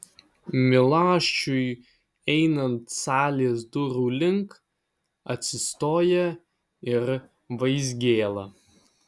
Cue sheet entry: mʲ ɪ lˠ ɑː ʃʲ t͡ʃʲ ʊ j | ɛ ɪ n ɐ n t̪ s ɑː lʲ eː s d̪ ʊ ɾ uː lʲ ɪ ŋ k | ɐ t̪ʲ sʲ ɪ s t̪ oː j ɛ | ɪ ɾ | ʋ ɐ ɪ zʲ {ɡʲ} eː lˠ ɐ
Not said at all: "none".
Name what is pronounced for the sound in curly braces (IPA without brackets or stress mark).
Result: ɡʲ